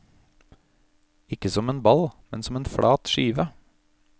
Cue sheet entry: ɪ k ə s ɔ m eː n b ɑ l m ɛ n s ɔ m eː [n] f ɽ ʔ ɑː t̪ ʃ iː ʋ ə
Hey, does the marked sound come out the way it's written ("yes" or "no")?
yes